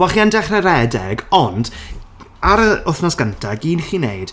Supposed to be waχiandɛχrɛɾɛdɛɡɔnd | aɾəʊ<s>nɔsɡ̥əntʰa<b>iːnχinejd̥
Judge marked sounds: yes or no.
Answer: no, no

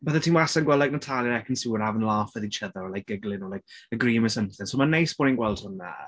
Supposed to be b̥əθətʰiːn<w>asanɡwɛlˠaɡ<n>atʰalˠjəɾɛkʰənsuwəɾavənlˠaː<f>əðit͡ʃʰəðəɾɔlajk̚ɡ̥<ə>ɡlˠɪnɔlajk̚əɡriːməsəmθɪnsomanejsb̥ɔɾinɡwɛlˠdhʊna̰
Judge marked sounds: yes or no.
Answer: yes, yes, yes, yes

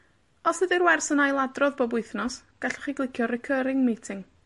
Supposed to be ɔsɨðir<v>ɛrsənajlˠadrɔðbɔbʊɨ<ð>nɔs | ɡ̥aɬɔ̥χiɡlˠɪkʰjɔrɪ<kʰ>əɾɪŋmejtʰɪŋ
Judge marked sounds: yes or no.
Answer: no, no, yes

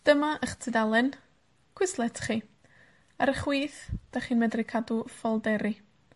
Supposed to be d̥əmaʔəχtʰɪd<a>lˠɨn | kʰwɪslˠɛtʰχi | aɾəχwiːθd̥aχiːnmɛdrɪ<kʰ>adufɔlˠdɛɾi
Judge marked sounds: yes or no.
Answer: yes, yes

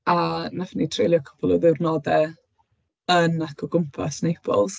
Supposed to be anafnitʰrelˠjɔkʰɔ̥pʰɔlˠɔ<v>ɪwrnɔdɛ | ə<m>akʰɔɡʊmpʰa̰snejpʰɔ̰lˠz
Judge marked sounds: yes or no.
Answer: no, no

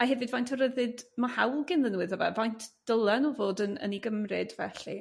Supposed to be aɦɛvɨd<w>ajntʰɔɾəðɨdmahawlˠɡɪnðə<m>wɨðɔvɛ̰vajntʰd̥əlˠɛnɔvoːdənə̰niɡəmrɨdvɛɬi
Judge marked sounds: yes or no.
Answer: no, no

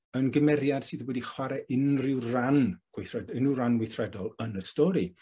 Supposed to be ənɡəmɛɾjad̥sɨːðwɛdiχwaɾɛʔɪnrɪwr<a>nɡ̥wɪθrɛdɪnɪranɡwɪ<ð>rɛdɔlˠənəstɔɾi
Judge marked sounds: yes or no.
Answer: yes, no

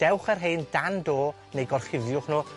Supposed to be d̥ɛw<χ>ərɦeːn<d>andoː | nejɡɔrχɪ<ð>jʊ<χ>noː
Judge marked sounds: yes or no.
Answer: yes, yes, no, yes

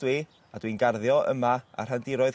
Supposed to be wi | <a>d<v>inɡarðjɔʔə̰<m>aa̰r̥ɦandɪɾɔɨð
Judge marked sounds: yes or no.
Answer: yes, no, yes

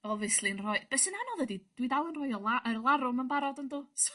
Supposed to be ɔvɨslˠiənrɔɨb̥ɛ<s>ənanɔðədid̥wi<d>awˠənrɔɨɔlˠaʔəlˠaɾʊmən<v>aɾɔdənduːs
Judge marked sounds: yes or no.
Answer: yes, yes, no

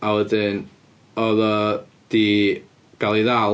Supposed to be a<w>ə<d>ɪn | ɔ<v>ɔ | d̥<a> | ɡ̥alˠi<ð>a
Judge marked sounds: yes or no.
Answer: yes, yes, no, no, yes

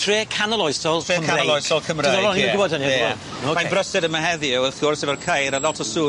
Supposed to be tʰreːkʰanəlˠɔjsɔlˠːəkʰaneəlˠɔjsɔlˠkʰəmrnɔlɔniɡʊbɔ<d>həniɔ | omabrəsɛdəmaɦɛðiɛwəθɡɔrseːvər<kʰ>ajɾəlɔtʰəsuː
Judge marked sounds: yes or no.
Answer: yes, yes

